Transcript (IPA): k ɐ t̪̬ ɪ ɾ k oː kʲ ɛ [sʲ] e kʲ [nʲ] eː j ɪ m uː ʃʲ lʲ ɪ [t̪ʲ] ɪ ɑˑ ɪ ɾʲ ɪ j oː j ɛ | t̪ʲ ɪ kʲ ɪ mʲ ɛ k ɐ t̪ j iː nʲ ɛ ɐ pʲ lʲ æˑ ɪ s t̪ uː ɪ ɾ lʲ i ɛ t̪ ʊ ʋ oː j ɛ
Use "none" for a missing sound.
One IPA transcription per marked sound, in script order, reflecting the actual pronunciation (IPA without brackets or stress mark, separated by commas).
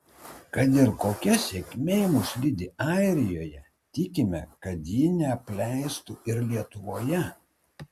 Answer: sʲ, mʲ, d̪ʲ